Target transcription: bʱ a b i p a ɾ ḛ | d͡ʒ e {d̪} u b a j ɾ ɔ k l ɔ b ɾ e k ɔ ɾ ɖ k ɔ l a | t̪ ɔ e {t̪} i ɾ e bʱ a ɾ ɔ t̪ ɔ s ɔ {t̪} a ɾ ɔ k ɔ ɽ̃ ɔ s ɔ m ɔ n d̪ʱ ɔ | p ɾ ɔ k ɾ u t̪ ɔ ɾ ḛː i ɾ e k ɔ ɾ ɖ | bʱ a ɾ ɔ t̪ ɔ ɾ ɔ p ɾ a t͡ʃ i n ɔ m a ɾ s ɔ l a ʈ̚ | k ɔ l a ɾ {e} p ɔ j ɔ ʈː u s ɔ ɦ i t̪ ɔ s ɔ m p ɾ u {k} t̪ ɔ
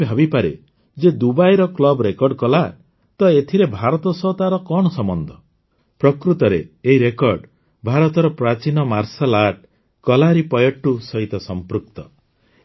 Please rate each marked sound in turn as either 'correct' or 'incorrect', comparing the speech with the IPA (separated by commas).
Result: correct, incorrect, correct, incorrect, correct